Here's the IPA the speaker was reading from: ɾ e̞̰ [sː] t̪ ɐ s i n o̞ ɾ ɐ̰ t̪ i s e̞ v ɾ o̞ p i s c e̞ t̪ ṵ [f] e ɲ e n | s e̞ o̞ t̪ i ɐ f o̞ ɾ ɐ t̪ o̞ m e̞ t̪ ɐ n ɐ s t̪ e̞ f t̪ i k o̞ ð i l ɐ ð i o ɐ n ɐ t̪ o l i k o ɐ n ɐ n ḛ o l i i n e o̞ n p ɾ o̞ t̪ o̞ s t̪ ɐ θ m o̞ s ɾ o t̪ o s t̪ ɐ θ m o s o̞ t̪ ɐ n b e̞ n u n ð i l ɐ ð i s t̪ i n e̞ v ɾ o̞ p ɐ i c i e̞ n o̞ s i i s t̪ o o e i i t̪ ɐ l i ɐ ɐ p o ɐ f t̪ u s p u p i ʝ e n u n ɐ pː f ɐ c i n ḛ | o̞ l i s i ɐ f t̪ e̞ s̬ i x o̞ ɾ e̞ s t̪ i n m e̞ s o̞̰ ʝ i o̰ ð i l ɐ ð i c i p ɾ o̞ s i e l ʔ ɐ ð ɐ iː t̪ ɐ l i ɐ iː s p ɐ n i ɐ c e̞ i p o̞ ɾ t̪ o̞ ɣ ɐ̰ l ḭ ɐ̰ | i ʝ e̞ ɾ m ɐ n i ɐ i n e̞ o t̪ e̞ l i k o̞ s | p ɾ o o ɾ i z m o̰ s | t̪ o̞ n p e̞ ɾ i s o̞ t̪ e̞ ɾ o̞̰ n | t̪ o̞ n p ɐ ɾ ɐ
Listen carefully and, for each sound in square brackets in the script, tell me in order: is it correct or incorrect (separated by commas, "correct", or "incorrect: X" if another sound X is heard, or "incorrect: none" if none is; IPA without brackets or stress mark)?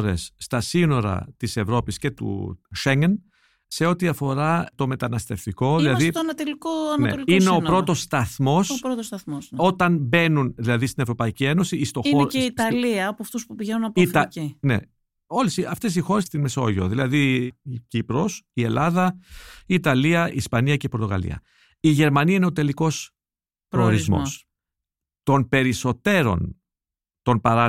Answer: correct, incorrect: ʃ